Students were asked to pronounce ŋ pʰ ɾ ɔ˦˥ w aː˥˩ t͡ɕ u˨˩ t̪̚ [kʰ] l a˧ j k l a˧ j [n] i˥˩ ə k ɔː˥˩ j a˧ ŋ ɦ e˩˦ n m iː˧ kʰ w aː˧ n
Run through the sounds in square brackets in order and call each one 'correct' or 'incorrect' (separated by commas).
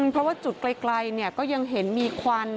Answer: incorrect, correct